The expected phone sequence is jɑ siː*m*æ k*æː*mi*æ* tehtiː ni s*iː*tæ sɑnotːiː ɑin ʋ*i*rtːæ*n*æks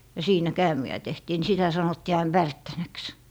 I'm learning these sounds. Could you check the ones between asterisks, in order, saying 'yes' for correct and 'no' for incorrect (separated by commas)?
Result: no, yes, yes, no, no, yes